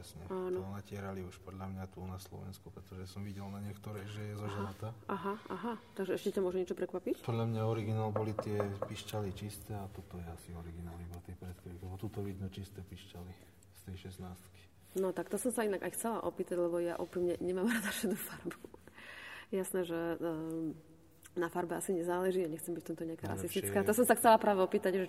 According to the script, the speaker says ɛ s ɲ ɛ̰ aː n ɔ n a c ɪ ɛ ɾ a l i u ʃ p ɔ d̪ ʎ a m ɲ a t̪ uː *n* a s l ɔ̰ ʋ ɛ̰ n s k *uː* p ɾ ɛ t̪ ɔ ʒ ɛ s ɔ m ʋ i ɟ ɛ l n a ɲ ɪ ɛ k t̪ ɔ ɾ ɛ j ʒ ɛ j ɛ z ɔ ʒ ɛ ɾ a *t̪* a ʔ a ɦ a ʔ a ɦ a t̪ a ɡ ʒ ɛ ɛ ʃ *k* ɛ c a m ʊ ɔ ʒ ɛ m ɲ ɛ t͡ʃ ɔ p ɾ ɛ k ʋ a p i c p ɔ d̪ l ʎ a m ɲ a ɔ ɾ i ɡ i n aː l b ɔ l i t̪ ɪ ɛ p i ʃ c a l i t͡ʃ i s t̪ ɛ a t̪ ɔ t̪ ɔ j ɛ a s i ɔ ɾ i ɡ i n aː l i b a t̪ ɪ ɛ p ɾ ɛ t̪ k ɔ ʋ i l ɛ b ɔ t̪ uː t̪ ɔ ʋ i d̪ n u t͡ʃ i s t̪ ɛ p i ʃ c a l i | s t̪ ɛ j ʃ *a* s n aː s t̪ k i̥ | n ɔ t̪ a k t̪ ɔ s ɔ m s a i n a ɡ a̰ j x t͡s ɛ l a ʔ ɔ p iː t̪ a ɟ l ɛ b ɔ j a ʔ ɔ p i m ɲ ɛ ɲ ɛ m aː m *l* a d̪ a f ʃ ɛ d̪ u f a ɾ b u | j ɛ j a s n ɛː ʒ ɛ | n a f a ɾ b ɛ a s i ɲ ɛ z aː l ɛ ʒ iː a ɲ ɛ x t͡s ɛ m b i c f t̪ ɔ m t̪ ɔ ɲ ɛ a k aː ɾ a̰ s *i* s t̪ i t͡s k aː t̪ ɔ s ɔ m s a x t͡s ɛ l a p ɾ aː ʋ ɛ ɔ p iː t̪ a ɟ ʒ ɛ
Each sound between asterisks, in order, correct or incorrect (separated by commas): correct, incorrect, correct, incorrect, incorrect, incorrect, correct